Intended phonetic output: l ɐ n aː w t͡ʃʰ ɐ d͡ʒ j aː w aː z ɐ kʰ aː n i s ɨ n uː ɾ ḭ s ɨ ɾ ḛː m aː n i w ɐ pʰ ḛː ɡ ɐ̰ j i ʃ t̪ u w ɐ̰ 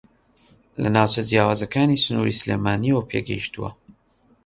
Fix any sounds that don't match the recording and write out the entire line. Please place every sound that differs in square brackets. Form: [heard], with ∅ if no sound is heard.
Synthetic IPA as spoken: l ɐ n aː w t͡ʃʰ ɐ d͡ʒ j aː w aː z ɐ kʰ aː n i s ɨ n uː ɾ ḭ s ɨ [l] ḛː m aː n i w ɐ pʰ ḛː ɡ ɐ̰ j i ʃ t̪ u w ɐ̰